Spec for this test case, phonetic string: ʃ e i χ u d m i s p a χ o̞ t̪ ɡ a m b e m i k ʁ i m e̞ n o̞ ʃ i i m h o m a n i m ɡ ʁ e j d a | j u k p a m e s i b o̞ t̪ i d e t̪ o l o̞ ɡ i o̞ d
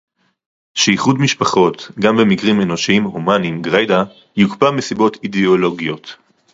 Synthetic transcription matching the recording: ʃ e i χ u d m i ʃ p a χ o̞ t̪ ɡ a m b e m i k ʁ i m e̞ n o̞ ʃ i i m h o m a n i m ɡ ʁ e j d a | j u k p a m e s i b o̞ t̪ i d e o l o̞ ɡ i o̞ t